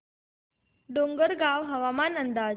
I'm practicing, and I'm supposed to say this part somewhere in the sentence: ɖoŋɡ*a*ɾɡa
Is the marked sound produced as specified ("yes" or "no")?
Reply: no